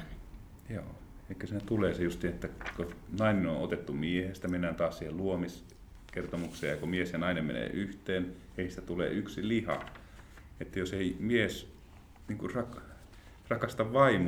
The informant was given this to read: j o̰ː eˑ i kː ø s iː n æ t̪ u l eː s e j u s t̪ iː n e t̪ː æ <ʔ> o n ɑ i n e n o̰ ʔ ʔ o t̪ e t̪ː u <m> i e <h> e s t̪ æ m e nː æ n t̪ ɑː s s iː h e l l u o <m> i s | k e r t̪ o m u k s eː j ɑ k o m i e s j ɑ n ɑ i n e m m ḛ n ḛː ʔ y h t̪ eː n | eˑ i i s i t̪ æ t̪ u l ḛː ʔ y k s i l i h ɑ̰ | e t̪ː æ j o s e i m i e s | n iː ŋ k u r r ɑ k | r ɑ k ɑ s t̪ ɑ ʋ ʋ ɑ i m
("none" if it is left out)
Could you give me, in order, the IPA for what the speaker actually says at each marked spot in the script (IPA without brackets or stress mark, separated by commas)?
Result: k, m, h, m